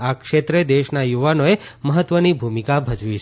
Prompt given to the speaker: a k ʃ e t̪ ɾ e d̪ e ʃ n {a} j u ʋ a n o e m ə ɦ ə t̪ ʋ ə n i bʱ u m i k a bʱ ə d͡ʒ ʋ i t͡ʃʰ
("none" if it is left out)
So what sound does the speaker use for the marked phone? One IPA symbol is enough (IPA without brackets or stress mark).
a